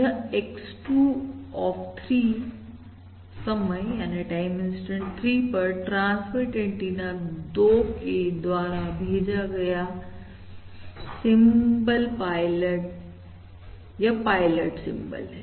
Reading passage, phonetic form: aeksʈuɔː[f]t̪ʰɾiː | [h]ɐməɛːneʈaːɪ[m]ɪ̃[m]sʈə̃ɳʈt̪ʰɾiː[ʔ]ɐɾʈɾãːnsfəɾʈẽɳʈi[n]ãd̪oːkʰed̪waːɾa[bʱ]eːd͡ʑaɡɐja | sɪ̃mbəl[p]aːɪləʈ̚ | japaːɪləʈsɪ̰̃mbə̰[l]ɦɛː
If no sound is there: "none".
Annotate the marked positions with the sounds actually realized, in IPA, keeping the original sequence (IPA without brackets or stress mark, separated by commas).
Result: f, s, m, n, p, n, bʱ, p, l